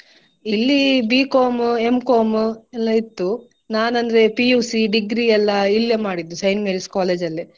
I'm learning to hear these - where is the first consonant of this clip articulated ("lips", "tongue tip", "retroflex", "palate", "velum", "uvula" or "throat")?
tongue tip